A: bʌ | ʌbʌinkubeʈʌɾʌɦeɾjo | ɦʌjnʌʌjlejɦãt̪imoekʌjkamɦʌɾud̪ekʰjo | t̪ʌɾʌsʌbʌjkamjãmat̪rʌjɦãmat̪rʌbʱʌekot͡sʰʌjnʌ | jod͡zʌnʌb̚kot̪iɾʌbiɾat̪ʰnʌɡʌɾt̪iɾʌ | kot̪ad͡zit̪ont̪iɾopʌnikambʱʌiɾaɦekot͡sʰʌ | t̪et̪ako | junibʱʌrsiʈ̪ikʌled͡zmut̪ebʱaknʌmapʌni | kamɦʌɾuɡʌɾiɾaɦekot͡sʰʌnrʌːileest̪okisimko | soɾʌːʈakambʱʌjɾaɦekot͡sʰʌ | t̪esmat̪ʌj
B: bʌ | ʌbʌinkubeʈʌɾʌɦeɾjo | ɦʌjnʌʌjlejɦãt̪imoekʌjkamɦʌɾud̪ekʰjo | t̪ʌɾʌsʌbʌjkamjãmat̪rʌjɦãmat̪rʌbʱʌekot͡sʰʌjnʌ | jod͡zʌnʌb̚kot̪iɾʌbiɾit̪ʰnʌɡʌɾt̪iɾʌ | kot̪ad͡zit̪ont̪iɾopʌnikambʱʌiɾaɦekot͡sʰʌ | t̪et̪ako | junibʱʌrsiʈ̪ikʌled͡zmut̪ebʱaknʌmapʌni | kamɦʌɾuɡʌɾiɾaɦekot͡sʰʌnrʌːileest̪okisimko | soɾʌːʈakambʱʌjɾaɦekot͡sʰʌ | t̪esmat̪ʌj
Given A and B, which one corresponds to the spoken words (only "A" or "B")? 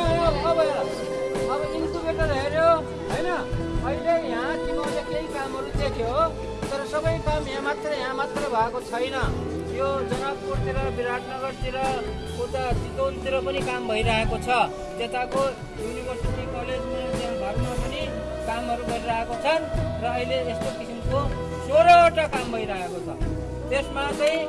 A